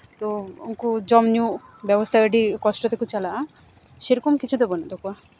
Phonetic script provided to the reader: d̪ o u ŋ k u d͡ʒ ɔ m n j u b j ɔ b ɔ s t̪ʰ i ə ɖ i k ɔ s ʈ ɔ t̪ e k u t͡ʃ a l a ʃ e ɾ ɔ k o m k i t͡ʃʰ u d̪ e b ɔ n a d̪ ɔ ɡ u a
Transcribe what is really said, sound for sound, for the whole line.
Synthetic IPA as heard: t̪ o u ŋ k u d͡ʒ ɔ m n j u b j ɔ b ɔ s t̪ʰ a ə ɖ i k ɔ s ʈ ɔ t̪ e k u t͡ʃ a l a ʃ e ɾ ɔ k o m k i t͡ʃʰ u d̪ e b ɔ n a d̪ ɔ k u a